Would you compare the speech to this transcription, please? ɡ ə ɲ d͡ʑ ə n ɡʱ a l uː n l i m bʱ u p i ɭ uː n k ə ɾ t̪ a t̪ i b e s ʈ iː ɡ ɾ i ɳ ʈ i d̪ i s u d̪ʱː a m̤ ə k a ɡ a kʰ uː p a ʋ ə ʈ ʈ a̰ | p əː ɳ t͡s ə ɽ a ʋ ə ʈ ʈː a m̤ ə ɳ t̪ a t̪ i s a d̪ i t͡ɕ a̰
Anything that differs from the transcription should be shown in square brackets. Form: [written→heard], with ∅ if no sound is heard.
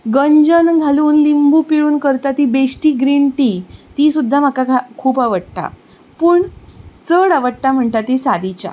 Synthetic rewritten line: ɡ ə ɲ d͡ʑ ə n ɡʱ a l uː n l i m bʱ u p i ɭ uː n k ə ɾ t̪ a t̪ i b e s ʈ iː ɡ ɾ i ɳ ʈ i [d̪→t̪] i s u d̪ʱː a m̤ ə k a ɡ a kʰ uː p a ʋ ə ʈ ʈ a̰ | p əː ɳ t͡s ə ɽ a ʋ ə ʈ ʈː a m̤ ə ɳ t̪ a t̪ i s a d̪ i t͡ɕ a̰